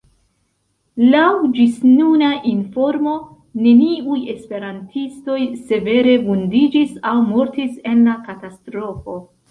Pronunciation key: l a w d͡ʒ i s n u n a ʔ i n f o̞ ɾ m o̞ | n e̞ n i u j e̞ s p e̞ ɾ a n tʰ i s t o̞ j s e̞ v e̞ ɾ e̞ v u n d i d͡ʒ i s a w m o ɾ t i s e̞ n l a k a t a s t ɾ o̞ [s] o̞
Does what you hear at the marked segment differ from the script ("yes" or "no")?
yes